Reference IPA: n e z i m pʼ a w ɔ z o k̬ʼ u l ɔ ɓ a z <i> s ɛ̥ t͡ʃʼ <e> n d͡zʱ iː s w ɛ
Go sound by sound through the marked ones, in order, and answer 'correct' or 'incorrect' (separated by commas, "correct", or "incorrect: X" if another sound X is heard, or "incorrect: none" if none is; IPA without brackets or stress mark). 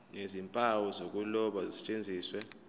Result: correct, correct